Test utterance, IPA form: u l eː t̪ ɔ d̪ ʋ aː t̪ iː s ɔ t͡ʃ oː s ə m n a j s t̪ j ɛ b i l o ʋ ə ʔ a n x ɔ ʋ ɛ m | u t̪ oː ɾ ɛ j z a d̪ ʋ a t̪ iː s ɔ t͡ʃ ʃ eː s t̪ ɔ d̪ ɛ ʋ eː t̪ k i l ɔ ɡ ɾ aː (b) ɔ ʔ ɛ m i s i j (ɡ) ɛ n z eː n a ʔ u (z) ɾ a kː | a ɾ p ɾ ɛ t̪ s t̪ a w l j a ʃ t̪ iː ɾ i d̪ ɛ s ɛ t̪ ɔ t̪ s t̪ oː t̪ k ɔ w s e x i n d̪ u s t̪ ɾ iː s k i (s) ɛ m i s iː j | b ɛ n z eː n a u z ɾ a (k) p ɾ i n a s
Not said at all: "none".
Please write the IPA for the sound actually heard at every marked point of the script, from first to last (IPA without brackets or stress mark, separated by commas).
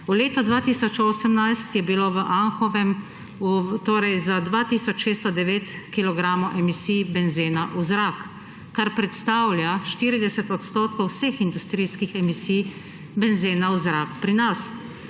m, b, z, x, k